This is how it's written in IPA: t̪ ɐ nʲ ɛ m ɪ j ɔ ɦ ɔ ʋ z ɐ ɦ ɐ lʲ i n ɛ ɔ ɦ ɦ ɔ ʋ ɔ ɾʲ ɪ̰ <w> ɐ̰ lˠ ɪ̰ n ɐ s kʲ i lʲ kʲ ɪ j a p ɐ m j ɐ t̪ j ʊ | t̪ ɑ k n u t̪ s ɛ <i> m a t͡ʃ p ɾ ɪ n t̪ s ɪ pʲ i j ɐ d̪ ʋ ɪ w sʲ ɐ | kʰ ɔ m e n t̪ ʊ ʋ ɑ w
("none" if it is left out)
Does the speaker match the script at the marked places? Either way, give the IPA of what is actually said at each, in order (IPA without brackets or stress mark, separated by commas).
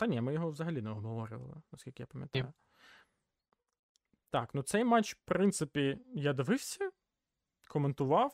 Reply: ʋ, j